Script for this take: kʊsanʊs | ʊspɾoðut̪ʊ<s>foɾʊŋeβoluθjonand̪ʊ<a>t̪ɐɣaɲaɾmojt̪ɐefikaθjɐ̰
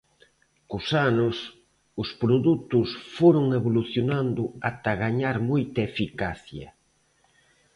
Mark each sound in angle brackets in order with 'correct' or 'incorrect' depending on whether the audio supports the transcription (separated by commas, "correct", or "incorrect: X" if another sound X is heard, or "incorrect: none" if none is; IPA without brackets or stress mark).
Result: correct, correct